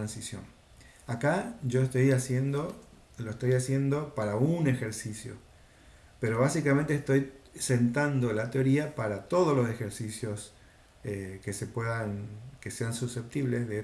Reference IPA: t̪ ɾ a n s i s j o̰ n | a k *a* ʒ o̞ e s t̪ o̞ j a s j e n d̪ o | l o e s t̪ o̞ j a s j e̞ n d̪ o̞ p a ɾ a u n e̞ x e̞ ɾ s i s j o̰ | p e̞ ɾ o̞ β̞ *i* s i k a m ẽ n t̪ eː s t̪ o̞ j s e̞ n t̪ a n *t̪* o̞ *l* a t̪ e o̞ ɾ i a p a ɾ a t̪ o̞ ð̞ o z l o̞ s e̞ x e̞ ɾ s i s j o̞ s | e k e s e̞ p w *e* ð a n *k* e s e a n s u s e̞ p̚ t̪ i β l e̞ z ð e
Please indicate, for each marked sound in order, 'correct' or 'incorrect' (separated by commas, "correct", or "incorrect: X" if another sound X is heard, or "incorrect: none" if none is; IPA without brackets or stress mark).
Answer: correct, incorrect: a, incorrect: d̪, correct, correct, correct